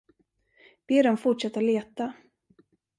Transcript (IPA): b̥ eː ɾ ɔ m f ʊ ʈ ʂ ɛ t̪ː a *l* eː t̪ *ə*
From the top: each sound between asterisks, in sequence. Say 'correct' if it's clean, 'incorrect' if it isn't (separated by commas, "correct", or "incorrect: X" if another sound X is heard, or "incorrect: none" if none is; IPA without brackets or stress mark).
correct, incorrect: a